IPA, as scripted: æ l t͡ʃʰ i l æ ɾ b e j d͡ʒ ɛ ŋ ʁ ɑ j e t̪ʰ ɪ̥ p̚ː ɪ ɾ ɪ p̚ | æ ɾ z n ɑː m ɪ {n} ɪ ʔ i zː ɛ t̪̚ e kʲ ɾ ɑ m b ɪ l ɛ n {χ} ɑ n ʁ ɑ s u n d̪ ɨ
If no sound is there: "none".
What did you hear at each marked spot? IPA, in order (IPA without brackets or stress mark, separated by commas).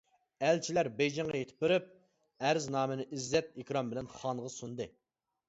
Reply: n, χ